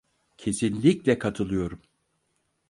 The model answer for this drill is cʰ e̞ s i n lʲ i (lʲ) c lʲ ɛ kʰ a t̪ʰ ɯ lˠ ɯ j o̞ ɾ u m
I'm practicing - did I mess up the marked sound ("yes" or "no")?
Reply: yes